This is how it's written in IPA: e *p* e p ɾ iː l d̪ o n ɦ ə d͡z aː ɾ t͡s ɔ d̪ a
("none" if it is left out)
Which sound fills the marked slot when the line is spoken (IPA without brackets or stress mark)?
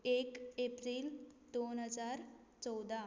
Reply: k